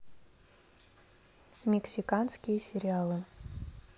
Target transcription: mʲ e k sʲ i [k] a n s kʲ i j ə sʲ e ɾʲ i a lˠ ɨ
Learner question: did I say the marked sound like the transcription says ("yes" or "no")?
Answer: yes